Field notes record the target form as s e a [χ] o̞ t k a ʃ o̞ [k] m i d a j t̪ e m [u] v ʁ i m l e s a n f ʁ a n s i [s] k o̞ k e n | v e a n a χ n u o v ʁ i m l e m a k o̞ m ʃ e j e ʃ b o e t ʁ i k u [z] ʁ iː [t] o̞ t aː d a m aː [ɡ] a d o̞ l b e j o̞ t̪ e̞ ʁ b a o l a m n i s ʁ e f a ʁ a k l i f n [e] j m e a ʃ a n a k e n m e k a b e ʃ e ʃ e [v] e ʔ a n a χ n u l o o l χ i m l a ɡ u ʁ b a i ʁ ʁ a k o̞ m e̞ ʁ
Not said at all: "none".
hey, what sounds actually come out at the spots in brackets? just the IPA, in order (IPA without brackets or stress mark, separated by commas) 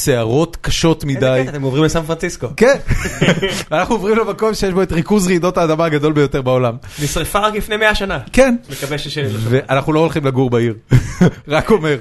ʁ, t, o, s, z, d, ɡ, e, v